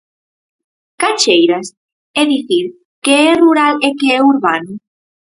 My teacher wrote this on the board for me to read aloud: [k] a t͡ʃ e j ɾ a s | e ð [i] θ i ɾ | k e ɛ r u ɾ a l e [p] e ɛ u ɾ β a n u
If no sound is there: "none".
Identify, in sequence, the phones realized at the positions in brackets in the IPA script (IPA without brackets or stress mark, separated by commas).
k, i, k